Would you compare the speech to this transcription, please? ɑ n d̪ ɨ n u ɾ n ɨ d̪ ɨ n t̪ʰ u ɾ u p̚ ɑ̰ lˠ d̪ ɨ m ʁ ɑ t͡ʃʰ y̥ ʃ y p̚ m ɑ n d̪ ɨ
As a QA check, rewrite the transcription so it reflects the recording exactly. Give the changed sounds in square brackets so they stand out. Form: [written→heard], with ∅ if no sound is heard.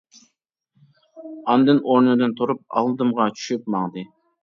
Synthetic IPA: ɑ n d̪ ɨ n [u→o] ɾ n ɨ d̪ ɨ n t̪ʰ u ɾ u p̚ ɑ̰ lˠ d̪ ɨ m ʁ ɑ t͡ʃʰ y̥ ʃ y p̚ m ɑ [n→ŋ] d̪ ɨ